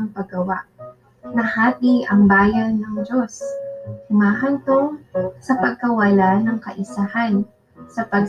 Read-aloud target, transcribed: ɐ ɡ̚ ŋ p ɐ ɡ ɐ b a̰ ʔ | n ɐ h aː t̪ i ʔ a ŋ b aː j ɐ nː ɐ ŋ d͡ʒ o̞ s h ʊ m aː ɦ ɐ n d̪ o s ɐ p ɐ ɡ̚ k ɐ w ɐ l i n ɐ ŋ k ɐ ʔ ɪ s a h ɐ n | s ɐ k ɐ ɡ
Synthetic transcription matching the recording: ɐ ŋ p ɐ ɡ ɐ w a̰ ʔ | n ɐ h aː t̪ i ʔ ɐ ŋ b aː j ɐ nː ɐ ŋ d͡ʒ o̞ s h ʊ m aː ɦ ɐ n t̪ o s ɐ p ɐ ɡ̚ k ɐ w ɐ l a n ɐ ŋ k ɐ ʔ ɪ s a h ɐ n | s ɐ p ɐ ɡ